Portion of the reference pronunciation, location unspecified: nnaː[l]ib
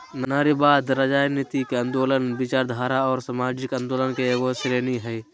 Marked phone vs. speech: incorrect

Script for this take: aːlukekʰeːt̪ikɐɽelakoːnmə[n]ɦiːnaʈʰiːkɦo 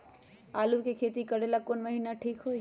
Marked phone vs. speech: incorrect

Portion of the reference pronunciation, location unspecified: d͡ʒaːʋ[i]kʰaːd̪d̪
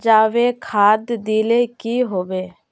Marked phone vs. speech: incorrect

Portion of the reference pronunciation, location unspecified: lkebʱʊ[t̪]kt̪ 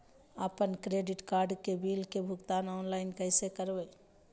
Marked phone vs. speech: incorrect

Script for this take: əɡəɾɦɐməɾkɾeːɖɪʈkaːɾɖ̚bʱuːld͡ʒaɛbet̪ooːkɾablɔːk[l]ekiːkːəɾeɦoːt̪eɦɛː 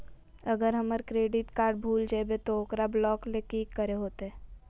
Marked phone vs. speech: correct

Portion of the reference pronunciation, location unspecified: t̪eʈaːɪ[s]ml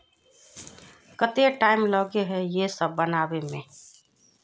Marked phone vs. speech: incorrect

